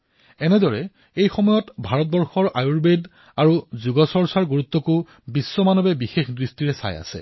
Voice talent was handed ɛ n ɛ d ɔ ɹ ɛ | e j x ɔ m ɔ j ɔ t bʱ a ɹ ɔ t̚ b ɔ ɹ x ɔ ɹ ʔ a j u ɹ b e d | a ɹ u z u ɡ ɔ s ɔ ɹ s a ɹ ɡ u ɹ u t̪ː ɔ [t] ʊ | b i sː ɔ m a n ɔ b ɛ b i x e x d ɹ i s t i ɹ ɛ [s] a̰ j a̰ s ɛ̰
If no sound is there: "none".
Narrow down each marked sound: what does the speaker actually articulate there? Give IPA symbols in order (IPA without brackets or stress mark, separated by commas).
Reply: k, s